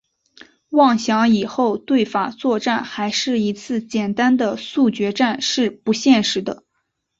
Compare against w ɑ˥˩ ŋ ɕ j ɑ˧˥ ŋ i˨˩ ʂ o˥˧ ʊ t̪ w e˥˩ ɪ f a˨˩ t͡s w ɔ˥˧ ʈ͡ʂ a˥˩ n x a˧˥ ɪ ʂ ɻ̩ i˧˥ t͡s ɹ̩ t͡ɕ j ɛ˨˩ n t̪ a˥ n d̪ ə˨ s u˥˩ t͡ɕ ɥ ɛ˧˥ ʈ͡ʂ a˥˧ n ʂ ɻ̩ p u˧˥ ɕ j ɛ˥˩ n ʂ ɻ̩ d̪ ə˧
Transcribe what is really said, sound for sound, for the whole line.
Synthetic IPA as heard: w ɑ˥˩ ŋ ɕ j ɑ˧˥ ŋ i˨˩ x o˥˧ ʊ t̪ w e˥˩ ɪ f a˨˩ t͡s w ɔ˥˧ ʈ͡ʂ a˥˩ n x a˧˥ ɪ ʂ ɻ̩ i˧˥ t͡sʰ ɹ̩ t͡ɕ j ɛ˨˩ n t̪ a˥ n d̪ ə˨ s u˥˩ t͡ɕ ɥ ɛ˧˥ ʈ͡ʂ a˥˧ n ʂ ɻ̩ p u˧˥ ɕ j ɛ˥˩ n ʂ ɻ̩ d̪ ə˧

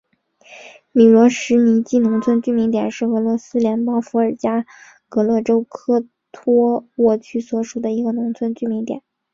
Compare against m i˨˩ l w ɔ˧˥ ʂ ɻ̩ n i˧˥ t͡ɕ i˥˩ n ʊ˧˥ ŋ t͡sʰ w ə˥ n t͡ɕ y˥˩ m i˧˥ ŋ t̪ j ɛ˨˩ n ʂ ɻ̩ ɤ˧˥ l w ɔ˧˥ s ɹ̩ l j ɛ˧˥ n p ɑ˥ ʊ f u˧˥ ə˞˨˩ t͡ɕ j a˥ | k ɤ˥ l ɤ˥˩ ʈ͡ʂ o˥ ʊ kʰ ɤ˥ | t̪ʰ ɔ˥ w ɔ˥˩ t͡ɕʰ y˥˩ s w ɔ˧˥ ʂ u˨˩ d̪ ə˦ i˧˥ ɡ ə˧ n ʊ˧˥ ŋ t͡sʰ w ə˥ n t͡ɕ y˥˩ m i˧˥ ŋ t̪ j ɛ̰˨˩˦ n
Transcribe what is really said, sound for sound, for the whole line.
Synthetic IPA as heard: m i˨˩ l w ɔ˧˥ ʂ ɻ̩ n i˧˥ t͡ɕ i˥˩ n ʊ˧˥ ŋ t͡sʰ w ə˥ n t͡ɕ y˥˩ m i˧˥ ŋ t̪ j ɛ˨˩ n ʂ ɻ̩ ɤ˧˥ l w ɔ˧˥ s ɹ̩ l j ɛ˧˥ n p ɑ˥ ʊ f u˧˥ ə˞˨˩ t͡ɕ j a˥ | k ɤ˧˥ l ɤ˥˩ ʈ͡ʂ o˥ ʊ kʰ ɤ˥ | t̪ʰ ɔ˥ w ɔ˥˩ t͡ɕʰ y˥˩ s w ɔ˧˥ ʂ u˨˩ d̪ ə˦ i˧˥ ɡ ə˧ n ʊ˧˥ ŋ t͡sʰ w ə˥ n t͡ɕ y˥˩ m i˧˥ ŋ t̪ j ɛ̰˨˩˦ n

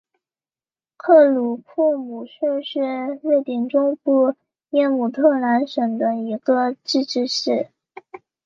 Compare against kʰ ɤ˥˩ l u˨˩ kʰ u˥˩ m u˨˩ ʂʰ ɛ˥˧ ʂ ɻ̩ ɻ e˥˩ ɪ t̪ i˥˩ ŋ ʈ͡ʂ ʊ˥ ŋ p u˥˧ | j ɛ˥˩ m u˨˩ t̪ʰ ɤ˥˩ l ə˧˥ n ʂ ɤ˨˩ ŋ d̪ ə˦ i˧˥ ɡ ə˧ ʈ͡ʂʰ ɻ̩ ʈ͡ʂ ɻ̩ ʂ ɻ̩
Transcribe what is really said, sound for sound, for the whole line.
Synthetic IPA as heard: kʰ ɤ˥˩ l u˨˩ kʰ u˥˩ m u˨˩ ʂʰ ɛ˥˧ ʂ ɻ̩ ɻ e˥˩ ɪ t̪ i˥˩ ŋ ʈ͡ʂ ʊ˥ ŋ p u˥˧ | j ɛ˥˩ m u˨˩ t̪ʰ ɤ˥˩ l a˧˥ n ʂ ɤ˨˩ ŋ d̪ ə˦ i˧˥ ɡ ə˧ ʈ͡ʂ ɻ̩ ʈ͡ʂ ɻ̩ ʂ ɻ̩

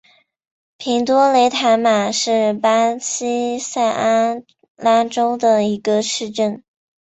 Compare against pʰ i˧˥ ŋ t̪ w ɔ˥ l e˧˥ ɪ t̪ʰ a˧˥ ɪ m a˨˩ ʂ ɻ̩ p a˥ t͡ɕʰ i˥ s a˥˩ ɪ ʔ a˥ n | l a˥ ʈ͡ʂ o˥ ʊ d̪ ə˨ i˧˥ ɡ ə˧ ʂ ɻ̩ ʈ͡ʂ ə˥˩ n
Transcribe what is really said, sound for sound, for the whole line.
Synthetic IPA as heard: pʰ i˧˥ ŋ t̪ w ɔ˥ l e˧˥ ɪ t̪ʰ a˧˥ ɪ m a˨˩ ʂ ɻ̩ p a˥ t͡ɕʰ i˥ s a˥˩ ɪ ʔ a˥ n | l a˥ ʈ͡ʂ o˥ ʊ d̪ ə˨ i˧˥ ɡ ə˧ ʂ ɻ̩ ʈ͡ʂ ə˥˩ n

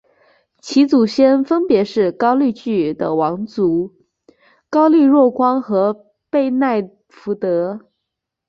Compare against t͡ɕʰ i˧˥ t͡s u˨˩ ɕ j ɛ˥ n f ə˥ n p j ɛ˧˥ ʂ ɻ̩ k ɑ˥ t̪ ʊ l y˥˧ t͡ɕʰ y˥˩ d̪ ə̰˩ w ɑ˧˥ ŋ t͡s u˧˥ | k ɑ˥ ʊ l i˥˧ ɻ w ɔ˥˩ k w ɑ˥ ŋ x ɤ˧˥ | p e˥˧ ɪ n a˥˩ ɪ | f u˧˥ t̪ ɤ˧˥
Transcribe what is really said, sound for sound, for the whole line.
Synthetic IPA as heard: t͡ɕʰ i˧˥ t͡s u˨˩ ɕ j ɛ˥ n f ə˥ n p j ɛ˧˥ ʂ ɻ̩ k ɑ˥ ʊ l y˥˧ t͡ɕ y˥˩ d̪ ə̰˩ w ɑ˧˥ ŋ t͡s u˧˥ | k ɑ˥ ʊ l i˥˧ ɻ w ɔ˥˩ k w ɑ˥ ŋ x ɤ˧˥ | p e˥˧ ɪ n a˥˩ ɪ | f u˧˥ t̪ ɤ˧˥

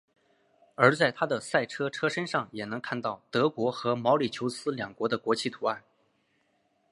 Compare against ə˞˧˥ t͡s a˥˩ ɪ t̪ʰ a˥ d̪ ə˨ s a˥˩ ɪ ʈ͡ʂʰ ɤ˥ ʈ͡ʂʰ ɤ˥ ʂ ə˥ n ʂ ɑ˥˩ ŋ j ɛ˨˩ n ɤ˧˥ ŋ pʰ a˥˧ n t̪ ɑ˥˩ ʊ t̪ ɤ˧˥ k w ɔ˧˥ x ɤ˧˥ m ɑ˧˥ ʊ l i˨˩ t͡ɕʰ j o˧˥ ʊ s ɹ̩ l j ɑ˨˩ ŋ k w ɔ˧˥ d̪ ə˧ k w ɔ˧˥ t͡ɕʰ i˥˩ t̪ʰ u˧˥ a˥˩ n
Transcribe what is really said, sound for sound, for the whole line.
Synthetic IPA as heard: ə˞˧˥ t͡s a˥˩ ɪ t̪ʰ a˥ d̪ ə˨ s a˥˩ ɪ ʈ͡ʂʰ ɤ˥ ʈ͡ʂʰ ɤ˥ ʂ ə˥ n ʂ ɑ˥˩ ŋ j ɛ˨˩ n ɤ˧˥ ŋ kʰ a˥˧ n t̪ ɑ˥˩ ʊ t̪ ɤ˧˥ k w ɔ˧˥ x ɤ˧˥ m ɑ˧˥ ʊ l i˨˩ t͡ɕʰ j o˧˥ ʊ s ɹ̩ l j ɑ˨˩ ŋ k w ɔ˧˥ d̪ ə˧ k w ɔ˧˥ t͡ɕʰ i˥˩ t̪ʰ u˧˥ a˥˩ n

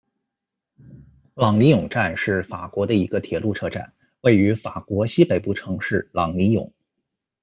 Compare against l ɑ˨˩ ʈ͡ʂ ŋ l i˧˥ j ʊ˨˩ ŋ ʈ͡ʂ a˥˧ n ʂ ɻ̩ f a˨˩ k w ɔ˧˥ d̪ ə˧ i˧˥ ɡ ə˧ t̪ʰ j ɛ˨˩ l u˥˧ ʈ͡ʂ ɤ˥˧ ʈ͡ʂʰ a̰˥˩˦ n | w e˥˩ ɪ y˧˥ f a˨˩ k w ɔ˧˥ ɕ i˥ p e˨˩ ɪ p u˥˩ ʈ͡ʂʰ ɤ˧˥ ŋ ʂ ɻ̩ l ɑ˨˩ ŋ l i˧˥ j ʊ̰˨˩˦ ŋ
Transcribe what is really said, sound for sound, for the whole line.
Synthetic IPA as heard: l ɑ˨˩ ŋ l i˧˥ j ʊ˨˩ ŋ ʈ͡ʂ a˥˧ n ʂ ɻ̩ f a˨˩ k w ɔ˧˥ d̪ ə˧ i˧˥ ɡ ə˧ t̪ʰ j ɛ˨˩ l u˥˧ ʈ͡ʂʰ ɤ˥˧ ʈ͡ʂ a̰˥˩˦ n | w e˥˩ ɪ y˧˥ f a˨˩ k w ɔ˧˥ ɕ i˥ p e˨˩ ɪ p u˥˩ ʈ͡ʂʰ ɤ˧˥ ŋ ʂ ɻ̩ l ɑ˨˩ ŋ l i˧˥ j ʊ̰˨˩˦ ŋ

